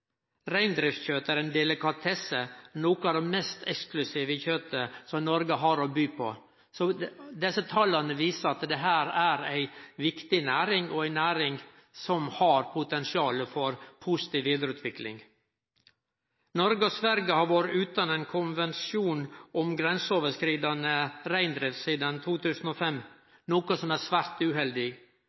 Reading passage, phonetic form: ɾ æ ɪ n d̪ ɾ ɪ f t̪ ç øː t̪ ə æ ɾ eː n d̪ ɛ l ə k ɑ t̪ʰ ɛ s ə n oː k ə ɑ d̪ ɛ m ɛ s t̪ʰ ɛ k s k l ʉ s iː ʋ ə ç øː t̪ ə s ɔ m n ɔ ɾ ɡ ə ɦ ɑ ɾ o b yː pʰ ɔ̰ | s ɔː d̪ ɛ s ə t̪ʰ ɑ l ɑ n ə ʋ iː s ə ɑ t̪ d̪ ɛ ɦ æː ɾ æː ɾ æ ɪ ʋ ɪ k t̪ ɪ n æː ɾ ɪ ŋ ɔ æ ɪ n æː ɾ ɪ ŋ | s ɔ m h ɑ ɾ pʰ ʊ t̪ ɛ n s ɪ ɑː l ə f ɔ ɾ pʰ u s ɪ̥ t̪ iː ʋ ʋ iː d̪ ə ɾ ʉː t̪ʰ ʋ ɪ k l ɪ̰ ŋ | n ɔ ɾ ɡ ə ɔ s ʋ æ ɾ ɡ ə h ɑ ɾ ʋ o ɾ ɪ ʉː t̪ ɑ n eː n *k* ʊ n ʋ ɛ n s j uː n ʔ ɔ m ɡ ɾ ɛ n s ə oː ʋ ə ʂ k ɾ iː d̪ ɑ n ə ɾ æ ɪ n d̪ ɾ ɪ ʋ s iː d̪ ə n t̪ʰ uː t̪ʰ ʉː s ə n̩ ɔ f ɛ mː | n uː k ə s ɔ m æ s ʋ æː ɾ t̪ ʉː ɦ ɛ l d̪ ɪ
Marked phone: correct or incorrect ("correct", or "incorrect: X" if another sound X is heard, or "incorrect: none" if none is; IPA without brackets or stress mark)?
incorrect: kʰ